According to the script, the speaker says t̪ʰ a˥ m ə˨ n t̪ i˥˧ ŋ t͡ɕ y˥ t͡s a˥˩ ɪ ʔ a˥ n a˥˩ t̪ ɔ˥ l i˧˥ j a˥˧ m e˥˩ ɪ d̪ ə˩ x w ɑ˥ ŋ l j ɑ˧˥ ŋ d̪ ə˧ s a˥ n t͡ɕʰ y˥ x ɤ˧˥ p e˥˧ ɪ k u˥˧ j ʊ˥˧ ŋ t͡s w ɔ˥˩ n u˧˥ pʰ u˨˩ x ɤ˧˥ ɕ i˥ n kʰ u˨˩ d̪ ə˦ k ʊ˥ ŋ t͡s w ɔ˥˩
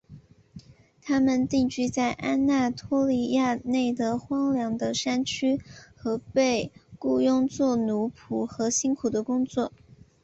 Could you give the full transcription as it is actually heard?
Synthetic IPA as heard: t̪ʰ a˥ m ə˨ n t̪ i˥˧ ŋ t͡ɕ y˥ t͡s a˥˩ ɪ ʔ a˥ n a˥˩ t̪ʰ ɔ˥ l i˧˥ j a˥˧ n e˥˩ ɪ d̪ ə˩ x w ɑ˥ ŋ l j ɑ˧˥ ŋ d̪ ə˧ ʂ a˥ n t͡ɕʰ y˥ x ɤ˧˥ p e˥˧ ɪ k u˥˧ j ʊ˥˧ ŋ t͡s w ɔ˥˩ n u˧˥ pʰ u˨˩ x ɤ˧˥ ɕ i˥ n kʰ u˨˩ d̪ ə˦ k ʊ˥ ŋ t͡s w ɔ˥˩